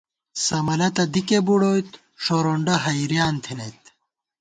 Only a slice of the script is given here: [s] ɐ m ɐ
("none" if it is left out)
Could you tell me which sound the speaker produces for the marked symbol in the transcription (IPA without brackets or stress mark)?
s